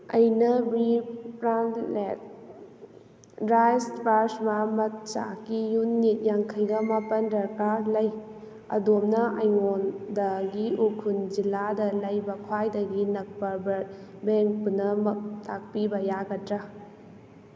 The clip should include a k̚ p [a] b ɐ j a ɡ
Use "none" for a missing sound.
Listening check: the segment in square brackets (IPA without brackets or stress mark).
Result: i